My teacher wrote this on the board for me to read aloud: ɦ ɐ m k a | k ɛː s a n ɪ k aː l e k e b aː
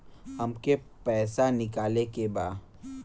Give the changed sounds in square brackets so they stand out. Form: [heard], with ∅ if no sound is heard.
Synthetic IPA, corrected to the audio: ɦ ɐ m k [e] | [p] ɛː s a n ɪ k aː l e k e b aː